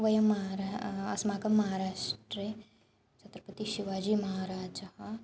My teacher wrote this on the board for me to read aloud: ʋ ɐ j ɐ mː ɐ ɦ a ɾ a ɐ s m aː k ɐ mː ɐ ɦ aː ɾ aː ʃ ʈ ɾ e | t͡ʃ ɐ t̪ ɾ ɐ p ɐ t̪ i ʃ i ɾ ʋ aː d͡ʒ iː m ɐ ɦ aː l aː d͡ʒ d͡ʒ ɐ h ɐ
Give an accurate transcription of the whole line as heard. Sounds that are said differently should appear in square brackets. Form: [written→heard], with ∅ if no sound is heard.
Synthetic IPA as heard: ʋ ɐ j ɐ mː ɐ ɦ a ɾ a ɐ s m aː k ɐ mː ɐ ɦ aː ɾ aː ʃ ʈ ɾ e | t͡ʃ ɐ t̪ ɾ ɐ p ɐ t̪ i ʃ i [ɾ→∅] ʋ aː d͡ʒ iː m ɐ ɦ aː [l→ɾ] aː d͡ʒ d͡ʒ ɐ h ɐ